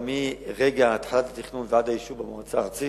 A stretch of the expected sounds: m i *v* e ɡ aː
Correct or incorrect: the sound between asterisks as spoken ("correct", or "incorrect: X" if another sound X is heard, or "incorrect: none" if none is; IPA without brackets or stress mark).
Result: incorrect: ʁ